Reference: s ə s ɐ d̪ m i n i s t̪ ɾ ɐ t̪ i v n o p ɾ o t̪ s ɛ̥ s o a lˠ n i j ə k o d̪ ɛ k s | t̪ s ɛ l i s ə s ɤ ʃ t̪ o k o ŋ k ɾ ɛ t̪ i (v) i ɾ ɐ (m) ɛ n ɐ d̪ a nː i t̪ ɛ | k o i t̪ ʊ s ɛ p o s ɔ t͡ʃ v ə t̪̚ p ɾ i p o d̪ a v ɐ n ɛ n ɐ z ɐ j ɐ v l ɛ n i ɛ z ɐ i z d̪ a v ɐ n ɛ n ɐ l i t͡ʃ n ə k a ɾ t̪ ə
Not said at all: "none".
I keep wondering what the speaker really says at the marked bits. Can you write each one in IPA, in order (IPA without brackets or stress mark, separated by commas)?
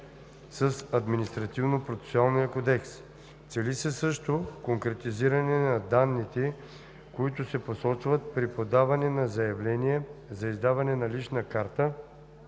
z, n